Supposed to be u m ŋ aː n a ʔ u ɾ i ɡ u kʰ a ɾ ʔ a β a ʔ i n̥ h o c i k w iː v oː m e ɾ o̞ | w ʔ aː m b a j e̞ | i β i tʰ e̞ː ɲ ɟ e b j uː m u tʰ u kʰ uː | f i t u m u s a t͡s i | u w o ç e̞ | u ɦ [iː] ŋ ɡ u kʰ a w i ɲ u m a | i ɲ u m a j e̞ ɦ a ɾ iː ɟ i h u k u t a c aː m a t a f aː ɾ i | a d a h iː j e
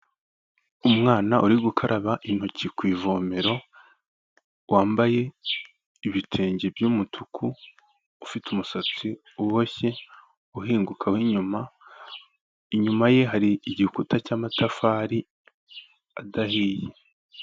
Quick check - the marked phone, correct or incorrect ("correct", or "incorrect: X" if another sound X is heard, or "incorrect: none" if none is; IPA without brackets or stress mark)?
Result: correct